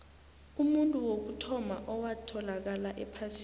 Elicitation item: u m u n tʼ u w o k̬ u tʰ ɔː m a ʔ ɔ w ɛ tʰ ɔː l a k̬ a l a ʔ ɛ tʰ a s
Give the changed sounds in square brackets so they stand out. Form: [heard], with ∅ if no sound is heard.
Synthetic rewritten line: u m u n tʼ u w o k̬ u tʰ [ɔ] m a ʔ ɔ w [a] tʰ [ɔ] l a k̬ a l a ʔ ɛ [pʰ] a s